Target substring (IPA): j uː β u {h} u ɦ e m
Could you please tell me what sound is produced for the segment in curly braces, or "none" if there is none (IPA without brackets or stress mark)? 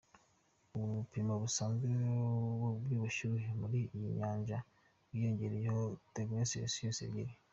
ʃ